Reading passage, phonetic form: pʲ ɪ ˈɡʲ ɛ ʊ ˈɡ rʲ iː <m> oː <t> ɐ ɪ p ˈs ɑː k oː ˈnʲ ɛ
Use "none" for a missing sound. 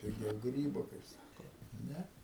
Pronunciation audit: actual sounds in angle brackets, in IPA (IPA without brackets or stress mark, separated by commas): b, k